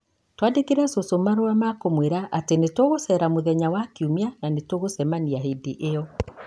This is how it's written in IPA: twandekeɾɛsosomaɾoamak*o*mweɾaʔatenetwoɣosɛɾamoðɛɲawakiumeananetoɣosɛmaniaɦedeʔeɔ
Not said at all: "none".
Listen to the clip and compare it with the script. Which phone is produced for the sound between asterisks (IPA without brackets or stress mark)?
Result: o